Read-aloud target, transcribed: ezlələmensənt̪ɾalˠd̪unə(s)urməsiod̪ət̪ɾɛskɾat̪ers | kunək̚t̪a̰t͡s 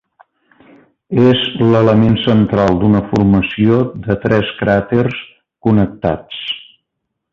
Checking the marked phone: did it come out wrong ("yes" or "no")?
yes